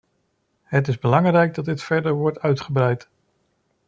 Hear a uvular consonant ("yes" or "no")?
yes